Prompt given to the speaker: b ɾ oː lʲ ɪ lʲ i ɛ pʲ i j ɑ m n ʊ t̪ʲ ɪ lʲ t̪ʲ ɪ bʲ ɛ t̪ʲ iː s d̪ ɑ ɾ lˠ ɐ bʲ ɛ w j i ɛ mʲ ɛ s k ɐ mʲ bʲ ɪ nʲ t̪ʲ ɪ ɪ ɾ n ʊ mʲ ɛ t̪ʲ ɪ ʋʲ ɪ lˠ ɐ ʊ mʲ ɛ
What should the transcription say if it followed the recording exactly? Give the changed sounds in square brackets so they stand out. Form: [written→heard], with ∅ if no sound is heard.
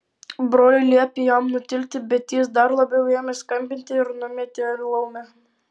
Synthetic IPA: b ɾ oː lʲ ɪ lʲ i ɛ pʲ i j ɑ m n ʊ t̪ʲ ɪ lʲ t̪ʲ ɪ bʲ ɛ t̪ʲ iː s d̪ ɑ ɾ lˠ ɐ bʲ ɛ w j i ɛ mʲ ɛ s k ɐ mʲ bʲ ɪ nʲ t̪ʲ ɪ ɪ ɾ n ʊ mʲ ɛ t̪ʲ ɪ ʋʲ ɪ lˠ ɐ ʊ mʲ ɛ

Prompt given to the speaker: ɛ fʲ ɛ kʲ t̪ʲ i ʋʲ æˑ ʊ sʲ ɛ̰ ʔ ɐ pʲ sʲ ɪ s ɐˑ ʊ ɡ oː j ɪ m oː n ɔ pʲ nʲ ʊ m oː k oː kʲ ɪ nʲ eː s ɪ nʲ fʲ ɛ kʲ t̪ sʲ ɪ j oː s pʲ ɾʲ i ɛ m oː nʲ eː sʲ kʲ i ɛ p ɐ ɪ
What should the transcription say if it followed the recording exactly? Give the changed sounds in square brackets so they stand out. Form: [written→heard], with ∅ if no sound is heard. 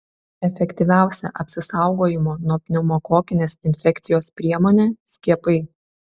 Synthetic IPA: ɛ fʲ ɛ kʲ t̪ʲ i ʋʲ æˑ ʊ sʲ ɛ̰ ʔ ɐ pʲ sʲ ɪ s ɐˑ ʊ ɡ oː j ɪ m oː n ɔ pʲ nʲ ʊ m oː k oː kʲ ɪ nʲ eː s ɪ nʲ fʲ ɛ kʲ t̪ sʲ ɪ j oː s pʲ ɾʲ i ɛ m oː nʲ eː sʲ kʲ i ɛ p ɐ ɪ

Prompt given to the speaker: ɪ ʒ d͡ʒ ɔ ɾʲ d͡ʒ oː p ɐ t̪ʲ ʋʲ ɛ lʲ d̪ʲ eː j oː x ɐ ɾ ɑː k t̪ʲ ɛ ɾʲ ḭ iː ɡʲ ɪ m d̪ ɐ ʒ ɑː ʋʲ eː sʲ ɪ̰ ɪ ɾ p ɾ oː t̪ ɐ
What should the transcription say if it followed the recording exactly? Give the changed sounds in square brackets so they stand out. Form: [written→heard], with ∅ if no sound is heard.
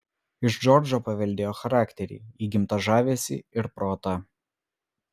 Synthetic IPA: ɪ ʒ d͡ʒ ɔ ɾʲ d͡ʒ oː p ɐ [t̪ʲ→∅] ʋʲ ɛ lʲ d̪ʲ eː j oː x ɐ ɾ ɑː k t̪ʲ ɛ ɾʲ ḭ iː ɡʲ ɪ m [d̪→t̪] ɐ ʒ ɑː ʋʲ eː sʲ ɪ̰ ɪ ɾ p ɾ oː t̪ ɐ

